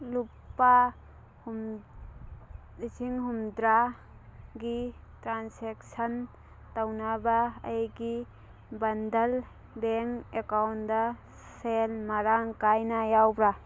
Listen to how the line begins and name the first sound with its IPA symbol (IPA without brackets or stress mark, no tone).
l